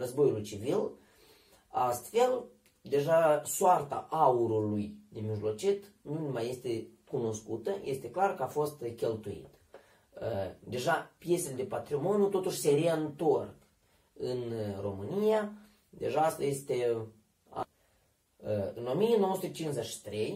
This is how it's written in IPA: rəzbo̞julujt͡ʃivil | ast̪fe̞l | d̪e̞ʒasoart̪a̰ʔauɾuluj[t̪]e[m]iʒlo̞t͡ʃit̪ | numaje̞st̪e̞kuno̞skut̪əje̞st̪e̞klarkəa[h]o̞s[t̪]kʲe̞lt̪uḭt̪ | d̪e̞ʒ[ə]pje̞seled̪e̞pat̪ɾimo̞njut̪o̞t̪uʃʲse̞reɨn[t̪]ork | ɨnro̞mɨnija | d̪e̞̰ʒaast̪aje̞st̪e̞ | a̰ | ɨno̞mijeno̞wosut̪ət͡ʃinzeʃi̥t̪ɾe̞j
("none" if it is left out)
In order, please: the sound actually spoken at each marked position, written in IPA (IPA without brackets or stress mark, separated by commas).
d̪, m, f, t̪, a, t̪